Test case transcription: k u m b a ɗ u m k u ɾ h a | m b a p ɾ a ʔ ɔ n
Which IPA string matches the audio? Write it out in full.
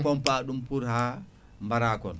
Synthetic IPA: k ɔ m p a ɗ u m p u ɾ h a | m b a ɾ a k ɔ n